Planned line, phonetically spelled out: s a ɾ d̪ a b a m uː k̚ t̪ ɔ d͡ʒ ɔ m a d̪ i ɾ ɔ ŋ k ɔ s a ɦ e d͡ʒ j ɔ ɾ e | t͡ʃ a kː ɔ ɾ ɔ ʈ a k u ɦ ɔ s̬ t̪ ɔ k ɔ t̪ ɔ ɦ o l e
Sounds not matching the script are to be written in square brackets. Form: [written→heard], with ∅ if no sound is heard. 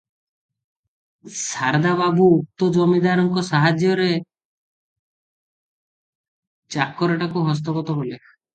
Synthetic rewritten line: s a ɾ d̪ a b a [m→b] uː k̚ t̪ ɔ d͡ʒ ɔ m [a→i] d̪ [i→a] ɾ ɔ ŋ k ɔ s a ɦ [e→a] d͡ʒ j ɔ ɾ e | t͡ʃ a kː ɔ ɾ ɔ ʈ a k u ɦ ɔ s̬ t̪ ɔ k ɔ t̪ ɔ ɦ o l e